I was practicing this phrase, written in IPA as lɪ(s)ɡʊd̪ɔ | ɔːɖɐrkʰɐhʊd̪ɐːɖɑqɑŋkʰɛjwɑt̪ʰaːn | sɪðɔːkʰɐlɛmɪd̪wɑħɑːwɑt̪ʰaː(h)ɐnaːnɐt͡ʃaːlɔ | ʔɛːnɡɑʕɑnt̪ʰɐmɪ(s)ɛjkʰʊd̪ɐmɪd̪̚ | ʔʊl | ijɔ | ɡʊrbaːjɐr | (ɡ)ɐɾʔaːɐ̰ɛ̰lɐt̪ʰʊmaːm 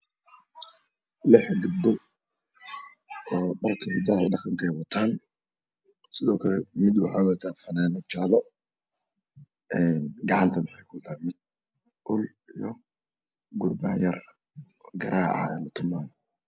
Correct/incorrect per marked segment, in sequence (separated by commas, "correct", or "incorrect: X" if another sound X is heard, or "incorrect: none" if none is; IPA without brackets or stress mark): incorrect: ħ, incorrect: f, incorrect: ħ, correct